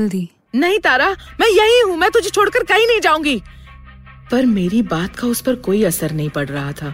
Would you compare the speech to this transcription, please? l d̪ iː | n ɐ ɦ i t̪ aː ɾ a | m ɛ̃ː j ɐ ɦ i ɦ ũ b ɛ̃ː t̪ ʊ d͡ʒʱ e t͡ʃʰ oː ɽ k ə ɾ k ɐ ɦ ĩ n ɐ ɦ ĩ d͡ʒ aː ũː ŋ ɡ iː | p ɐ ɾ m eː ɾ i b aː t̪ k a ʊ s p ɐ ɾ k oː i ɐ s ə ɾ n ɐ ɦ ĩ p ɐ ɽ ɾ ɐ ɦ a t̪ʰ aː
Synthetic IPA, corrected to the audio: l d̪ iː | n ɐ ɦ ĩ t̪ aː ɾ a | m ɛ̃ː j ɐ ɦ i ɦ ũ m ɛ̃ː t̪ ʊ d͡ʒʱ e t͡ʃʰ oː ɽ k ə ɾ k ɐ ɦ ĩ n ɐ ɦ ĩ d͡ʒ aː ũː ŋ ɡ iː | p ɐ ɾ m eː ɾ i b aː t̪ k a ʊ s p ɐ ɾ k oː i ɐ s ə ɾ n ɐ ɦ ĩ p ɐ ɽ ɾ ɐ ɦ a t̪ʰ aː